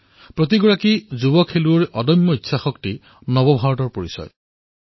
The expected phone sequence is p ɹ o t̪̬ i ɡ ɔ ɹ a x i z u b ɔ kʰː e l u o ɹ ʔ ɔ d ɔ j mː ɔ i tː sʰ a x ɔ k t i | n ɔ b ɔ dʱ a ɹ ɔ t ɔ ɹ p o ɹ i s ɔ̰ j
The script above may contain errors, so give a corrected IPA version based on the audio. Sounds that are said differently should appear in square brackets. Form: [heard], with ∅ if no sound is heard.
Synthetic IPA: p ɹ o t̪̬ i ɡ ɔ ɹ a [k] i z u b ɔ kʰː e l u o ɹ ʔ ɔ d ɔ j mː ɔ i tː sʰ a x ɔ k t i | n ɔ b ɔ [bʱ] a ɹ ɔ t ɔ ɹ p o ɹ i s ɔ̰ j